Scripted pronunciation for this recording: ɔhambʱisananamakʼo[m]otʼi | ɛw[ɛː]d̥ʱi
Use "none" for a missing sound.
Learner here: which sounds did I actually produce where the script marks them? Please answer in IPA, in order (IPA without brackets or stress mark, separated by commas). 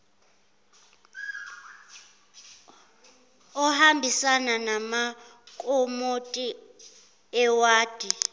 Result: m, aː